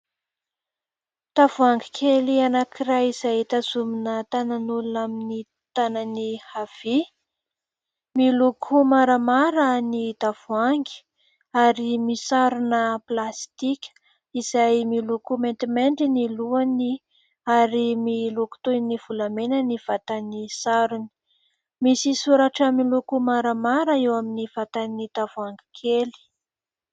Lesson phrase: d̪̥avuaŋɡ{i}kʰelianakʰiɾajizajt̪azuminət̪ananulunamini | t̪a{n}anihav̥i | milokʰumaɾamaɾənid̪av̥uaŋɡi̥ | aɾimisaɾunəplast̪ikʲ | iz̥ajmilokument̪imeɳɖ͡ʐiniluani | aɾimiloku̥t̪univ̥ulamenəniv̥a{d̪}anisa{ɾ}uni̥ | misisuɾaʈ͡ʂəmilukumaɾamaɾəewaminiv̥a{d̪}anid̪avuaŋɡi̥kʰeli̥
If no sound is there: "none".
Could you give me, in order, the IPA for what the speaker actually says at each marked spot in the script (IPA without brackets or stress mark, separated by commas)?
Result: i, n, t̪, ɾ, t̪